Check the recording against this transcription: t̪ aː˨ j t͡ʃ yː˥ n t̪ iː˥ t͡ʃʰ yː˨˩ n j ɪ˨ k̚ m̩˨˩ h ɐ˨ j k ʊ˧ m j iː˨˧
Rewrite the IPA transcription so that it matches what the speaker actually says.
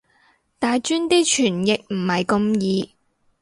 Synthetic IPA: t̪ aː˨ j t͡ʃ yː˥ n t̪ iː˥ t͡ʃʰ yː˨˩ n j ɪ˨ k̚ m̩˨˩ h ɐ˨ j k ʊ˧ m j iː˨˧